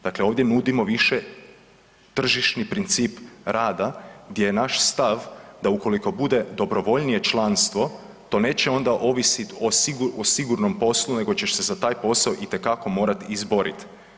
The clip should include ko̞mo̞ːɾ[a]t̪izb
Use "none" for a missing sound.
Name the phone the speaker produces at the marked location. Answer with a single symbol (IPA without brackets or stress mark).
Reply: a